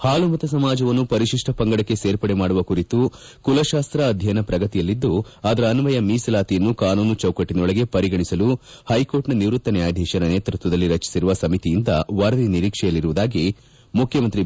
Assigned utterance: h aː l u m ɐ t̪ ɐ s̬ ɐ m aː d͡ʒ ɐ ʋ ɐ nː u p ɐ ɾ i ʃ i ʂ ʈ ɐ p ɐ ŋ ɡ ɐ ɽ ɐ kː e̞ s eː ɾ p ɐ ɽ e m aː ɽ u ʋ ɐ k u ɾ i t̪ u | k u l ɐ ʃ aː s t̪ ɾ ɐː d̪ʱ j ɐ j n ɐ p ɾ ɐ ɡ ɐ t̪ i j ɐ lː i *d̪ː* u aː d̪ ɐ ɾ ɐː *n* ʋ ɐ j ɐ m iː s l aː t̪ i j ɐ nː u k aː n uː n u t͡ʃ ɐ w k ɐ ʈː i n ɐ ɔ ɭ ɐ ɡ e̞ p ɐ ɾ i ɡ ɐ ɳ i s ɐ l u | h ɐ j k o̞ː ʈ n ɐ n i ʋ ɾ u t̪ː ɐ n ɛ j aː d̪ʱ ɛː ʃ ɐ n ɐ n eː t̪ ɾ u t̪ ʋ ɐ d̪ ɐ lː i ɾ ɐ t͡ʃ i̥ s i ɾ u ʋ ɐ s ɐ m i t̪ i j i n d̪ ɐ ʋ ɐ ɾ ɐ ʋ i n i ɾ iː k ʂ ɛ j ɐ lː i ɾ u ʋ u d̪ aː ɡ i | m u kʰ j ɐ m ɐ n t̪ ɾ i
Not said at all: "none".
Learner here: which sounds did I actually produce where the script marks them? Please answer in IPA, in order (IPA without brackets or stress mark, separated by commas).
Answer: d̪ː, n